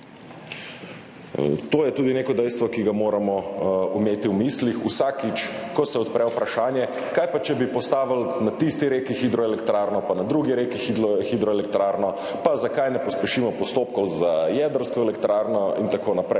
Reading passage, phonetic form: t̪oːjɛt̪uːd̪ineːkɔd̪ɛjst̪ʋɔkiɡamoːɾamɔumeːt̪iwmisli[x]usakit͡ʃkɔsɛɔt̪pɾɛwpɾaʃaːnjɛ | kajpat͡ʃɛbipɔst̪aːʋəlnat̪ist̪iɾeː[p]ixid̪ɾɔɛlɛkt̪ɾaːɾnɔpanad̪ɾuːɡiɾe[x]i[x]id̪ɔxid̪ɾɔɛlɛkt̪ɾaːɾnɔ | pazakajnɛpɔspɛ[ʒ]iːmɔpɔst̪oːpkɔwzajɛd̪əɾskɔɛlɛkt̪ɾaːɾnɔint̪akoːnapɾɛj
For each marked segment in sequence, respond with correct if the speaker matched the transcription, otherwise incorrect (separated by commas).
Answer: correct, incorrect, incorrect, correct, incorrect